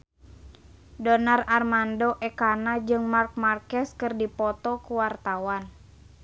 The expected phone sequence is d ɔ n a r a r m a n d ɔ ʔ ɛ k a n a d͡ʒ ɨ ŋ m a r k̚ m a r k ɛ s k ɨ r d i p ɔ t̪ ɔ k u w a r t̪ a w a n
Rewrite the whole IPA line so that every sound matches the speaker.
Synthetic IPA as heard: d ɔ n a r a r m a n d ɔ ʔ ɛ k a n a d͡ʒ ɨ ŋ m a r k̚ m a r k ɛ s k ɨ r d i p ɔ t̪ ɔ k u w a r t̪ a w a n

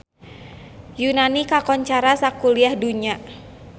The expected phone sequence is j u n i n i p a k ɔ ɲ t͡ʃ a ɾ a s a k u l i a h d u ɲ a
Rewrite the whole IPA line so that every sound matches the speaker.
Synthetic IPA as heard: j u n a n i k a k ɔ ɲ t͡ʃ a ɾ a s a k u l i a h d u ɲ a

